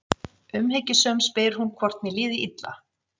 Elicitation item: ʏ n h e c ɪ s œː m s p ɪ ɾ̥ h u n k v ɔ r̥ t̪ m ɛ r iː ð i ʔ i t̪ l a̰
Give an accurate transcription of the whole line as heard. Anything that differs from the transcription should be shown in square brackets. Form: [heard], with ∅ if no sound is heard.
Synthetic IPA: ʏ [m] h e c ɪ s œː m s p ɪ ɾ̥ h u n [kʰ] v ɔ r̥ t̪ m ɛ [l] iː ð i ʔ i t̪ l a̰